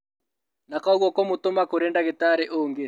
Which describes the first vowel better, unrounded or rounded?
unrounded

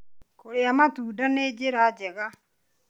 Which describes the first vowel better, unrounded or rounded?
rounded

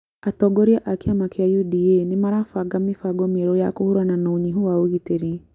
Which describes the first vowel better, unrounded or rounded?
unrounded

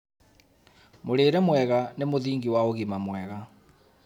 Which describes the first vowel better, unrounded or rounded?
rounded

